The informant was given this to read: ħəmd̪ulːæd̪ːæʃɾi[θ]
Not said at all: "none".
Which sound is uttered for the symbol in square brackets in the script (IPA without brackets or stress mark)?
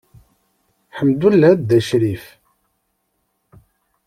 f